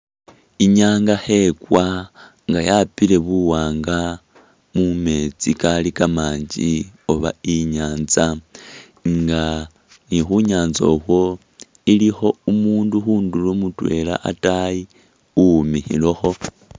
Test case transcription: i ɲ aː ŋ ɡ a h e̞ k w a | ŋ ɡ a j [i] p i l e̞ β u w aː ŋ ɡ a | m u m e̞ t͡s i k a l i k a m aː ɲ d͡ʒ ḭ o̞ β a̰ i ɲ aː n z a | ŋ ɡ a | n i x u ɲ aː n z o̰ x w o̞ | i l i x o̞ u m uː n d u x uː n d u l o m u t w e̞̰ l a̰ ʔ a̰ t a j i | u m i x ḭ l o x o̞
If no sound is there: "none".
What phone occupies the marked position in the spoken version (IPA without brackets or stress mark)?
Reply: a